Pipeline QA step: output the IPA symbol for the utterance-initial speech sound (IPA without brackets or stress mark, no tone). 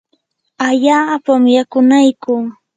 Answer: a